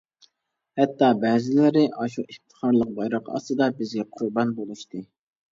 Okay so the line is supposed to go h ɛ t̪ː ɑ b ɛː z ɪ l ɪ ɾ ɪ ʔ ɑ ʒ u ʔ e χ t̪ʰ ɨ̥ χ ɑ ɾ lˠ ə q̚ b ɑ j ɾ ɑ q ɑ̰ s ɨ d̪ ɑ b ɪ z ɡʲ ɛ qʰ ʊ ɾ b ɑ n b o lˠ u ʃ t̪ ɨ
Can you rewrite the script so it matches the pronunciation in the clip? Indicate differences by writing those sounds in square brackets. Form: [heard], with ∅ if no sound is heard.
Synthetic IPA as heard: h ɛ t̪ː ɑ b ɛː z ɪ l ɪ ɾ ɪ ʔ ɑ [ʃ] u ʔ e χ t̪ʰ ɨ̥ χ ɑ ɾ lˠ ə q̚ b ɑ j ɾ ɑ q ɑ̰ s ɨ d̪ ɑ b ɪ z ɡʲ ɛ qʰ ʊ ɾ b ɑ n b o lˠ u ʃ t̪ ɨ